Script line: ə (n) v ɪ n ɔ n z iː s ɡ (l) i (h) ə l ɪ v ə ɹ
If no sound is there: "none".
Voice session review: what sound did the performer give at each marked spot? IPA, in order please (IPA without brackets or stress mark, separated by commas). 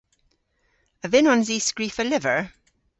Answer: none, ɹ, f